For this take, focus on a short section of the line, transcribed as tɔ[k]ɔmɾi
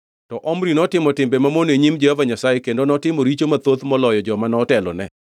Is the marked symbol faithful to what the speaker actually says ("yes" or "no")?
no